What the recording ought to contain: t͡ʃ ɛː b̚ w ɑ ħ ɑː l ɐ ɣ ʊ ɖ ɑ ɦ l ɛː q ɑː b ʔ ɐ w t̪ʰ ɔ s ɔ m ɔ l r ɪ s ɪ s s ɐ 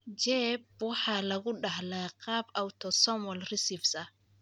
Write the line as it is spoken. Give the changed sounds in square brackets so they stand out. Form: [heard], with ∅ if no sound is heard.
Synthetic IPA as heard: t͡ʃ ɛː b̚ w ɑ ħ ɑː l ɐ ɣ ʊ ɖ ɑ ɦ l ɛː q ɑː b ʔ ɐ w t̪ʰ ɔ s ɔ m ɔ l r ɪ s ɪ [f] s ɐ